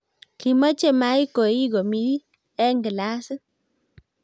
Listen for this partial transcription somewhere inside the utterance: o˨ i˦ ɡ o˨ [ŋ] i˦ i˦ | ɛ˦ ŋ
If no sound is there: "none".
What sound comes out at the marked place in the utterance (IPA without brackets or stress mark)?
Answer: m